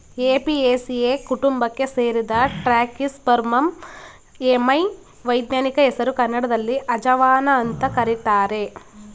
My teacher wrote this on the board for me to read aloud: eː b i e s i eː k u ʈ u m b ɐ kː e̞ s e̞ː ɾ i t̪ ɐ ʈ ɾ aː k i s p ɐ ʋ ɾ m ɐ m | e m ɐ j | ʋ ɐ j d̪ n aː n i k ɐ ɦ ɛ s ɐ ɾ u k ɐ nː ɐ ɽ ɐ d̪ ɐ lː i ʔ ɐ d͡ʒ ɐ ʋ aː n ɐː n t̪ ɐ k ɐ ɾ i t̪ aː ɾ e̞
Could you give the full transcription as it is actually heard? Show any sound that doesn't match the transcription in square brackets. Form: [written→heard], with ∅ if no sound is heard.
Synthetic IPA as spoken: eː [b→p] i e s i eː k u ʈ u m b ɐ kː e̞ s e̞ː ɾ i [t̪→d̪] ɐ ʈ ɾ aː k i s p ɐ [ʋ→∅] ɾ m ɐ m | e m ɐ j | ʋ ɐ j d̪ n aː n i k ɐ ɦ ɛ s ɐ ɾ u k ɐ nː ɐ ɽ ɐ d̪ ɐ lː i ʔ ɐ d͡ʒ ɐ ʋ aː n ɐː n t̪ ɐ k ɐ ɾ i t̪ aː ɾ e̞